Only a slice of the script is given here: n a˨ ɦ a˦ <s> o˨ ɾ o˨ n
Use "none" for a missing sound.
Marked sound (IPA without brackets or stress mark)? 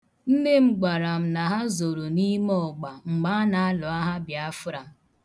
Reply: z